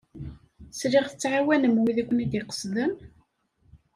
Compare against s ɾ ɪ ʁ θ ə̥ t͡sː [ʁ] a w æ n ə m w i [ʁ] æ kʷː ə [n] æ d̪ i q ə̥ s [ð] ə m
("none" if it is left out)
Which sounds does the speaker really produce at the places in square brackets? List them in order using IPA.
ʕ, ð, n, ð

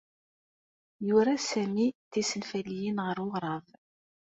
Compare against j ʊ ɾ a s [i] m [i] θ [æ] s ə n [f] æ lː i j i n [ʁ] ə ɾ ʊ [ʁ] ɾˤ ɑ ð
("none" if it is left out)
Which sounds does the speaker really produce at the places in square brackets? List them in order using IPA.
æ, i, i, f, ʁ, ʁ

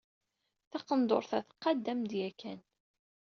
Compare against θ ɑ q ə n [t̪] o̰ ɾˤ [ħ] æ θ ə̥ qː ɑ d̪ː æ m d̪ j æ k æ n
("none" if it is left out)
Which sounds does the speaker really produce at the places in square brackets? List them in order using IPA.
d̪, θ

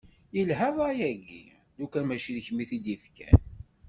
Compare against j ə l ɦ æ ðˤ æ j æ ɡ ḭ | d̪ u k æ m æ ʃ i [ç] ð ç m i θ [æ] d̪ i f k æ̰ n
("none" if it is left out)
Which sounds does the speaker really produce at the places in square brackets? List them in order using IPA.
none, i

